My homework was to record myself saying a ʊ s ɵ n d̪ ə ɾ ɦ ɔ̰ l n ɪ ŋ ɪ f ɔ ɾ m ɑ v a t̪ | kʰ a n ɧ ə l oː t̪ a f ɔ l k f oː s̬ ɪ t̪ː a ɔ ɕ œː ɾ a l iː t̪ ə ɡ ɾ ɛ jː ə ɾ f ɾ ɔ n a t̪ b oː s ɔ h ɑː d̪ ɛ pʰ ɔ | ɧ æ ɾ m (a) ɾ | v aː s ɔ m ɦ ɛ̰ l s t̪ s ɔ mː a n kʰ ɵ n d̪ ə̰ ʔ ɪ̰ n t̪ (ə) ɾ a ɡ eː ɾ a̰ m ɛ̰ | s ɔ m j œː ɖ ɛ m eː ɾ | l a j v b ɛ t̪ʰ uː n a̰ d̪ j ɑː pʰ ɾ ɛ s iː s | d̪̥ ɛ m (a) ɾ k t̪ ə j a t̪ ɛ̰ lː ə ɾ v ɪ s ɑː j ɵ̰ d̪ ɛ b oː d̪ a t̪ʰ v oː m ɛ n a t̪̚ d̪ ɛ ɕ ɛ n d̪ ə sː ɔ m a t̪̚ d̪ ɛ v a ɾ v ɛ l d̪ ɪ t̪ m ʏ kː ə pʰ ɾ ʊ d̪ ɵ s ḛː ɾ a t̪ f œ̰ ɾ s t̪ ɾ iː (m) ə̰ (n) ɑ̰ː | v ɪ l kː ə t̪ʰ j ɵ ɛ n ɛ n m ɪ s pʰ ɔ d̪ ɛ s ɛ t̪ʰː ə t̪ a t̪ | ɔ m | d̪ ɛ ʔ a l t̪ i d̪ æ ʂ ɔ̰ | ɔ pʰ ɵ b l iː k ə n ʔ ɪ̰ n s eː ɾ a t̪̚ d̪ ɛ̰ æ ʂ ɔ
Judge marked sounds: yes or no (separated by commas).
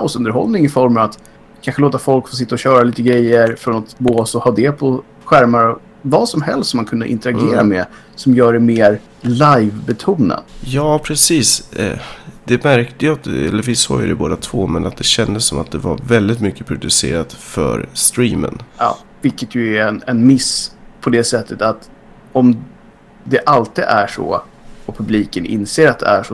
yes, yes, no, yes, yes